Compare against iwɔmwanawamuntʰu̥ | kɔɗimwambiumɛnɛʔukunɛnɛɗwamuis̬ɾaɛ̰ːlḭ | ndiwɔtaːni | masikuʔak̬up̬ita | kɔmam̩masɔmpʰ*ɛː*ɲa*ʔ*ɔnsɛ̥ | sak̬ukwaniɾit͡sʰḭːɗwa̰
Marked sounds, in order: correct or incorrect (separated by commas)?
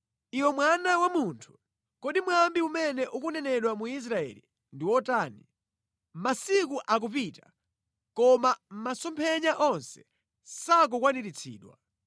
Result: incorrect, correct